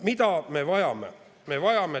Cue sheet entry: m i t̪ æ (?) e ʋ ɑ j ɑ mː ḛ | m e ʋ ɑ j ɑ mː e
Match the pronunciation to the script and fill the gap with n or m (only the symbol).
m